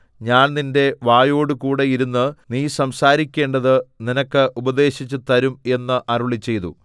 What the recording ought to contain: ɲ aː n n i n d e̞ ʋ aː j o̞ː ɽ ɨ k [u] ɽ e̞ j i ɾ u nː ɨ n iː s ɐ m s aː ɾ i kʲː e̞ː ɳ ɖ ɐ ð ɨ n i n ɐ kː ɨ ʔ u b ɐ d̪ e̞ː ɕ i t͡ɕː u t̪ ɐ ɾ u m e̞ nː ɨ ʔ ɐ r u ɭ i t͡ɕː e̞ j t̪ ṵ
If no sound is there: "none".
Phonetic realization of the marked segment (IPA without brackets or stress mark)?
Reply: uː